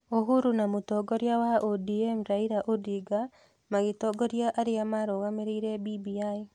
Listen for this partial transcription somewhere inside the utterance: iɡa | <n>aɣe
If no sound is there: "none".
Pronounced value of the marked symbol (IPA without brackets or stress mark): m